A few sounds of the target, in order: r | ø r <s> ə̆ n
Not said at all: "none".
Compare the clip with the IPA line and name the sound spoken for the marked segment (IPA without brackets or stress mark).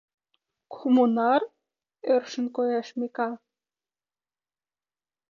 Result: ʃ